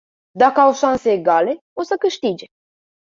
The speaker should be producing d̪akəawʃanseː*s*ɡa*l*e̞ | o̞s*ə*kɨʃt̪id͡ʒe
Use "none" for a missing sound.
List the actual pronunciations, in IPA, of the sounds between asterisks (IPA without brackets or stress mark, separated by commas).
none, l, ə